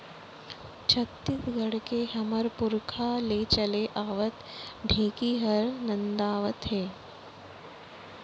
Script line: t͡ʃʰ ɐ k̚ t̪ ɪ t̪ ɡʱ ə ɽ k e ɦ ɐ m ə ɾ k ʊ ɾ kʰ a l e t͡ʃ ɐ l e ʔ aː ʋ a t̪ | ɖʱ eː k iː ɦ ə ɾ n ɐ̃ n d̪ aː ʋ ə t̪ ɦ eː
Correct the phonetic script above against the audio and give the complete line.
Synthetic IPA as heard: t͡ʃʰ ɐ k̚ t̪ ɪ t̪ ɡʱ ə ɽ k e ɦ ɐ m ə ɾ p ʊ ɾ kʰ a l e t͡ʃ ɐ l e ʔ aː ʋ ə t̪ | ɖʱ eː k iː ɦ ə ɾ n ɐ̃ n d̪ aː ʋ ə t̪ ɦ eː